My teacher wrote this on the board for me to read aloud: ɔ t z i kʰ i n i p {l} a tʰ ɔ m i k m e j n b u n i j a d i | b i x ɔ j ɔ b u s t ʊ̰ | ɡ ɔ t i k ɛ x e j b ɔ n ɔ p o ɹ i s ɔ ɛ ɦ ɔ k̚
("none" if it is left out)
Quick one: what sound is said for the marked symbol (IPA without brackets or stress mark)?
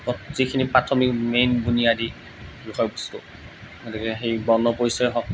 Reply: ɹ